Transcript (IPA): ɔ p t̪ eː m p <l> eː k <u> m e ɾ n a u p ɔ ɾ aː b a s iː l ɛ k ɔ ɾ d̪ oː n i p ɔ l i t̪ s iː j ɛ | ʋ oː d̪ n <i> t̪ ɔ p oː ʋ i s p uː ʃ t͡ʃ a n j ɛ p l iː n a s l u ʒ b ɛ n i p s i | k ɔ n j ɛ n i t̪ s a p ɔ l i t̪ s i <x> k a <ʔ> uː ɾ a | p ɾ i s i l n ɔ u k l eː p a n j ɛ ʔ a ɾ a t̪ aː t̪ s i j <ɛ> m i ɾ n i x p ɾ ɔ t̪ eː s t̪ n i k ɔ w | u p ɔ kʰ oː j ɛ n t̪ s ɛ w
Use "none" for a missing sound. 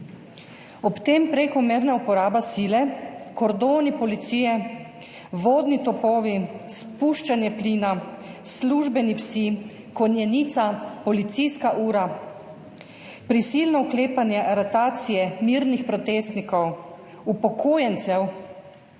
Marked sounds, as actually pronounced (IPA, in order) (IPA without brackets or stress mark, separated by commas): ɾ, ɔ, i, s, ʔ, ɛ